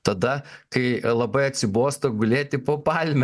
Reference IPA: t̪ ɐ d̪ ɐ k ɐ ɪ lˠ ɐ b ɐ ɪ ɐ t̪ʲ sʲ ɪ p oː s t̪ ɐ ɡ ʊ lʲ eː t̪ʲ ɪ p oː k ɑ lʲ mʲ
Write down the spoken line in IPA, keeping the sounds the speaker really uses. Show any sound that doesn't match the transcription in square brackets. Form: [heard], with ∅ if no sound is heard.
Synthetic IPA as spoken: t̪ ɐ d̪ ɐ k ɐ ɪ lˠ ɐ b ɐ ɪ ɐ t̪ʲ sʲ ɪ [b] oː s t̪ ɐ ɡ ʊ lʲ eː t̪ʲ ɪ p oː [p] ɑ lʲ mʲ

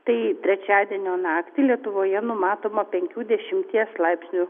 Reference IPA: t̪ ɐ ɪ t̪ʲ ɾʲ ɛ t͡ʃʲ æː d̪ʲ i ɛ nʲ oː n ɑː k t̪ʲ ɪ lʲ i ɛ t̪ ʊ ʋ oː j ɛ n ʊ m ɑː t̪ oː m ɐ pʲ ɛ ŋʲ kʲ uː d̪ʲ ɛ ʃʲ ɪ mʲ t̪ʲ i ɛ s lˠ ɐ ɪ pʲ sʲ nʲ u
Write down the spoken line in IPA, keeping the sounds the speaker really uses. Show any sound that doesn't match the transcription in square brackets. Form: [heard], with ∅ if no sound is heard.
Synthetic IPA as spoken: t̪ ɐ ɪ t̪ʲ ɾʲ ɛ t͡ʃʲ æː d̪ʲ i ɛ nʲ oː n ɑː k t̪ʲ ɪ lʲ i ɛ t̪ ʊ ʋ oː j ɛ n ʊ m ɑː t̪ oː m ɐ pʲ ɛ ŋʲ kʲ uː d̪ʲ ɛ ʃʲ ɪ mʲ t̪ʲ i ɛ s lˠ ɐ ɪ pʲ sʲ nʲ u

